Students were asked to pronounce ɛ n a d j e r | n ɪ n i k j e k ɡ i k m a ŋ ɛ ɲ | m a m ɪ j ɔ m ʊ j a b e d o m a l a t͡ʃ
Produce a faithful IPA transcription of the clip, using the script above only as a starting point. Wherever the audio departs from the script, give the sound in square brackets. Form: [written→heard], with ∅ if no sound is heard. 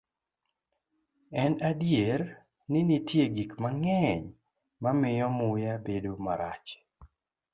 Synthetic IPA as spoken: ɛ n a d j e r | n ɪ n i [k→t] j e [k→∅] ɡ i k m a ŋ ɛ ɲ | m a m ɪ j ɔ m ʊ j a b e d o m a [l→ɾ] a t͡ʃ